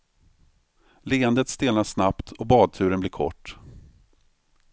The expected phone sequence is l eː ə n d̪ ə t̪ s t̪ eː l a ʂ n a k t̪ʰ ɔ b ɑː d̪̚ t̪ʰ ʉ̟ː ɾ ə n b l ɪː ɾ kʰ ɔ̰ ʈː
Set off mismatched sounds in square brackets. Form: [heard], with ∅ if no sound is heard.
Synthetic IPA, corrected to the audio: l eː ə n d̪ ə t̪ s t̪ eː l a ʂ n a [p] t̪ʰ ɔ b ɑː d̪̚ t̪ʰ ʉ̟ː ɾ ə n b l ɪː ɾ kʰ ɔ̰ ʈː